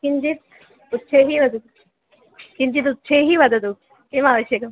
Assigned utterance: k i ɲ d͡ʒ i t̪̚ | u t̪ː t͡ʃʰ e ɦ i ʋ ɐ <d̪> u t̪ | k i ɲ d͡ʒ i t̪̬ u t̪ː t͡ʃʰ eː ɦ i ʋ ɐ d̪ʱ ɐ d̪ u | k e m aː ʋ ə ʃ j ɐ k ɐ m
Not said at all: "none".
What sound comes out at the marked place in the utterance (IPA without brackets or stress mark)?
d̪